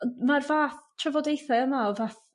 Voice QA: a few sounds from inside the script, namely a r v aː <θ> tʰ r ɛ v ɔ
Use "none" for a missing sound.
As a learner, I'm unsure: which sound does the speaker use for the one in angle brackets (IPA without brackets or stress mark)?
θ